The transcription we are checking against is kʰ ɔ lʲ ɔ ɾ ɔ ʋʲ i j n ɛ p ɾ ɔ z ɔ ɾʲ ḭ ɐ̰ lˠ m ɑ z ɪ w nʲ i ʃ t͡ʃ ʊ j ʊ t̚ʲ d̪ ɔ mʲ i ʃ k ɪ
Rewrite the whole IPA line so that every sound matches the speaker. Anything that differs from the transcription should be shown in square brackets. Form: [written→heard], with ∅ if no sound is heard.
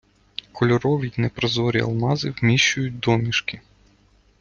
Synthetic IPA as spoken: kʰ ɔ lʲ ɔ ɾ ɔ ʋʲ i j n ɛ p ɾ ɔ z ɔ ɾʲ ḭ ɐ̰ lˠ m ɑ z ɪ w [nʲ→mʲ] i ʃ t͡ʃ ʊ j ʊ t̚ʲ d̪ ɔ mʲ i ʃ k ɪ